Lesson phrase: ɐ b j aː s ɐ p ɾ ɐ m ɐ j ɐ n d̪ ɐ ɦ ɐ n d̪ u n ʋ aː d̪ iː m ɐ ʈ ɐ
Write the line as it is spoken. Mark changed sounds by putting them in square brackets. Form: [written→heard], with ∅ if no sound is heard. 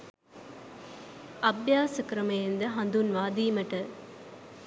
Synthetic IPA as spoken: ɐ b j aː s ɐ [p→k] ɾ ɐ m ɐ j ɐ n d̪ ɐ ɦ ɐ n d̪ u n ʋ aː d̪ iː m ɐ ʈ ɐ